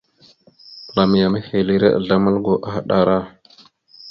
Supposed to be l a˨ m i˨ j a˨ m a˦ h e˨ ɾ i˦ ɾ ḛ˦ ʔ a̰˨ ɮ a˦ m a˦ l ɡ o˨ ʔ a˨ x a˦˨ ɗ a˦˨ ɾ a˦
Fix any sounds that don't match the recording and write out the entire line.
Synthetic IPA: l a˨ m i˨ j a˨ m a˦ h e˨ l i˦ ɾ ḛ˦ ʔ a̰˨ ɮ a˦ m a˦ l ɡ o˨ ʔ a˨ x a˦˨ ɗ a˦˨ ɾ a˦